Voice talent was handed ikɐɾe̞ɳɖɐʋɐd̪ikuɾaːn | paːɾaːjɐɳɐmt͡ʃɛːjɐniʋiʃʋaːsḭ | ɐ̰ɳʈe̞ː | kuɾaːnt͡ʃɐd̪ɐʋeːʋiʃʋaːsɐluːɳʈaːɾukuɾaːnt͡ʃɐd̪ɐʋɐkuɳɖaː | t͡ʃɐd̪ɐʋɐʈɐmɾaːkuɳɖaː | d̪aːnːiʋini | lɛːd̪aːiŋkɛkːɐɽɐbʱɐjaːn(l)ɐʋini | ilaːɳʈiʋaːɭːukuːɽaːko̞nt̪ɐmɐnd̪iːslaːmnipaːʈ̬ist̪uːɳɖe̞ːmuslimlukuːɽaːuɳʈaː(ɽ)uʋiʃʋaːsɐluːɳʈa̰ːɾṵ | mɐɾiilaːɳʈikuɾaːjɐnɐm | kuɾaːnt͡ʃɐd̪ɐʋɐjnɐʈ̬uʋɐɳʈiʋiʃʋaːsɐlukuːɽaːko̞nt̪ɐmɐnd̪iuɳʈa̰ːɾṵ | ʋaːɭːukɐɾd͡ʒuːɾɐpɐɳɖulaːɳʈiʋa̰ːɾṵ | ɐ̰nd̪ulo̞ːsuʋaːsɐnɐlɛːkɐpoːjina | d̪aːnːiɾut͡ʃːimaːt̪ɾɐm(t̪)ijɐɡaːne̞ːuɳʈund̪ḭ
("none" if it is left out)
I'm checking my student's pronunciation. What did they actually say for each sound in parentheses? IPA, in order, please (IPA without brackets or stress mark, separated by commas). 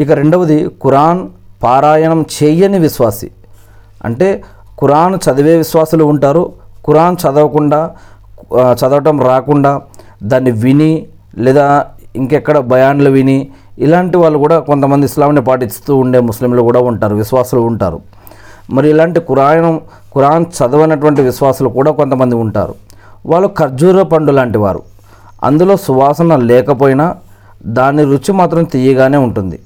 l, ɾ, t̪